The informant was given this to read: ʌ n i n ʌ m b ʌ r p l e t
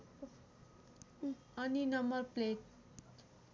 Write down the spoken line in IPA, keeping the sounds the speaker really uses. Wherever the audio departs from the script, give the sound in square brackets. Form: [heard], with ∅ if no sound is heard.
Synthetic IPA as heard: ʌ n i n ʌ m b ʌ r p l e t